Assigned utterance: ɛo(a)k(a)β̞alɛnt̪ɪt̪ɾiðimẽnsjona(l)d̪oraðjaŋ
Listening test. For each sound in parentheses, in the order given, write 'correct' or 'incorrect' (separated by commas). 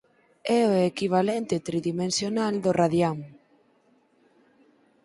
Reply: incorrect, incorrect, correct